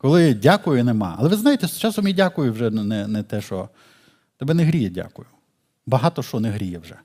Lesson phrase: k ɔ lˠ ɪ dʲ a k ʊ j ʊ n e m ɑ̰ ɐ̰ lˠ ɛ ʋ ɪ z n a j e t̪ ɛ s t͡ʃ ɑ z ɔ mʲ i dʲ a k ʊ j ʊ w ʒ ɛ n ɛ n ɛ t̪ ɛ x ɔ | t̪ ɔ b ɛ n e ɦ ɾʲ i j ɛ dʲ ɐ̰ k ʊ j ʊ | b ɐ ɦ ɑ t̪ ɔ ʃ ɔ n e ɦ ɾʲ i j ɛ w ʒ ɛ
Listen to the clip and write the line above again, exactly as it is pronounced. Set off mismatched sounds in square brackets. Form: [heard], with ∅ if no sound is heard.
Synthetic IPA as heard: k ɔ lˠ ɪ dʲ a k ʊ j ʊ n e m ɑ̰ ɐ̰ lˠ ɛ ʋ ɪ z n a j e t̪ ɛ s t͡ʃ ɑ [s] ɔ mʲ i dʲ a k ʊ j ʊ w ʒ ɛ n ɛ n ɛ t̪ ɛ [ʃ] ɔ | t̪ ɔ b ɛ n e ɦ ɾʲ i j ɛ dʲ [a̰] k ʊ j ʊ | b ɐ ɦ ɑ t̪ ɔ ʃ ɔ n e ɦ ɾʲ i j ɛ w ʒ ɛ